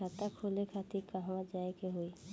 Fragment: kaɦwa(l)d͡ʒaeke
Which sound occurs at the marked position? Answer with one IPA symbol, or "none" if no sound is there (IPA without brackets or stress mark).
none